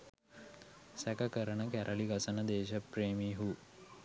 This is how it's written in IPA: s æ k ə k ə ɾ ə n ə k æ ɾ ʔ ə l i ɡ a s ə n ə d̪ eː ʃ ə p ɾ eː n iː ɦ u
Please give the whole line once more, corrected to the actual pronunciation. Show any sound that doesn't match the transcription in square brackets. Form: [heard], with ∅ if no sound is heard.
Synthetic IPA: s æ k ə k ə ɾ ə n ə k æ ɾ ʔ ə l i ɡ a s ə n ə d̪ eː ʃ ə p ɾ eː [m] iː ɦ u

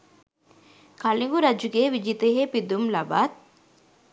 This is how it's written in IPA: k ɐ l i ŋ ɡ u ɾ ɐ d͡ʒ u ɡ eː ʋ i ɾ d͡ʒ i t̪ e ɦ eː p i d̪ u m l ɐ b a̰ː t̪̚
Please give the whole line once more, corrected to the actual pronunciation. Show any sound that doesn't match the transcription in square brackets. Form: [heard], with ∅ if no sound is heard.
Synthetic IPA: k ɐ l i ŋ ɡ u ɾ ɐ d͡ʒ u ɡ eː ʋ i [∅] d͡ʒ i t̪ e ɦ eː p i d̪ u m l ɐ b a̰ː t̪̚

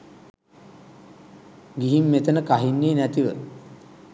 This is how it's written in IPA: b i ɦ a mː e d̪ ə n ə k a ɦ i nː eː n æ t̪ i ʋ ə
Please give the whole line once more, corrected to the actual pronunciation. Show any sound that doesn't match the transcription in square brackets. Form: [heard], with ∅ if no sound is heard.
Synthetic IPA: [ɡ] i ɦ [i] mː e [t̪] ə n ə k a ɦ i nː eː n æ t̪ i ʋ ə

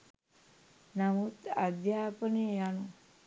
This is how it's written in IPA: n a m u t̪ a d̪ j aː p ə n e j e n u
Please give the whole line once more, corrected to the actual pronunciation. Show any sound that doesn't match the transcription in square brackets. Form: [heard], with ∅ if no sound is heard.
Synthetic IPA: n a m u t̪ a d̪ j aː p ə n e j [a] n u

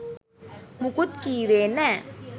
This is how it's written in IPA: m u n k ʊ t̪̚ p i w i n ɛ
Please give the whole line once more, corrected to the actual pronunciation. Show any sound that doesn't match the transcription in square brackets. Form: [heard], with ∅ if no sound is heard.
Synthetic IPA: m u [∅] k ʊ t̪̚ [k] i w [e] n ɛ

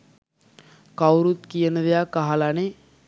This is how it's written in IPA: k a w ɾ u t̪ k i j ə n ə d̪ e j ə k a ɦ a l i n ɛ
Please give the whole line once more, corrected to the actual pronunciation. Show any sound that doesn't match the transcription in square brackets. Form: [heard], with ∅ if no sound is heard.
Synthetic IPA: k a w ɾ u t̪ k i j ə n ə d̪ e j [a] k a ɦ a l [a] n [e]

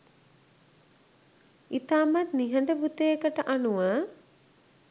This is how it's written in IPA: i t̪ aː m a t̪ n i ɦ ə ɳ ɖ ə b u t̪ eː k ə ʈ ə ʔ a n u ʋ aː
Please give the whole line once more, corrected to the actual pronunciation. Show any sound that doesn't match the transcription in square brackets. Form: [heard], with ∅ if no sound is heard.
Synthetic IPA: i t̪ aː m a t̪ n i ɦ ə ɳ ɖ ə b u t̪ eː k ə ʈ ə ʔ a n u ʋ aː

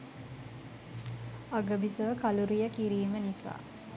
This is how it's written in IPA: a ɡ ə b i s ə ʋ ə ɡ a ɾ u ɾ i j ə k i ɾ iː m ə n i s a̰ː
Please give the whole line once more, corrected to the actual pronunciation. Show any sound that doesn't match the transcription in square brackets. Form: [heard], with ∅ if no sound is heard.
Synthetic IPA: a ɡ ə b i s ə ʋ ə [k] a [l] u ɾ i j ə k i ɾ iː m ə n i s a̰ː

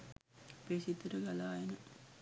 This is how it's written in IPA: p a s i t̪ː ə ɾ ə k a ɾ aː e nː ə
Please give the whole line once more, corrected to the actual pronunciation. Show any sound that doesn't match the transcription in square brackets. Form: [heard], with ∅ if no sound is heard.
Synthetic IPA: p [e] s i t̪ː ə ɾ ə [ɡ] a [l] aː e [n] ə

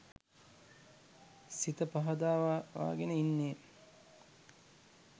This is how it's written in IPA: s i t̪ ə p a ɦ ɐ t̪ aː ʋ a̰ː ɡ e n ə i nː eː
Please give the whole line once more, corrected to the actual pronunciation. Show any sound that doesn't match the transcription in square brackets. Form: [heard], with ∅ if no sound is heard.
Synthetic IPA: s i t̪ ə p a ɦ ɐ [d̪] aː ʋ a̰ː ɡ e n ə i nː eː

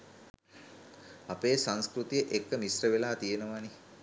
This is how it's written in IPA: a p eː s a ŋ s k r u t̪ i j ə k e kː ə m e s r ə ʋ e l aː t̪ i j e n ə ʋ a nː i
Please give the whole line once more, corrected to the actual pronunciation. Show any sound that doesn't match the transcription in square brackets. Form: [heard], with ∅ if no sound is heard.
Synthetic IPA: a p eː s a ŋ s k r u t̪ i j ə [ʔ] e kː ə m [i] s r ə ʋ e l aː t̪ i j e n ə ʋ a [n] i

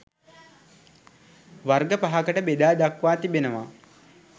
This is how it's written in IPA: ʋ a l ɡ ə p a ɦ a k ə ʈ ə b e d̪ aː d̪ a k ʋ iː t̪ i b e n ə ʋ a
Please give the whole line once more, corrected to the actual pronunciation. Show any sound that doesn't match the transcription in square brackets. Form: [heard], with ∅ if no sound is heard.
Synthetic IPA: ʋ a [r] ɡ ə p a ɦ a k ə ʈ ə b e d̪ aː d̪ a k ʋ [aː] t̪ i b e n ə ʋ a

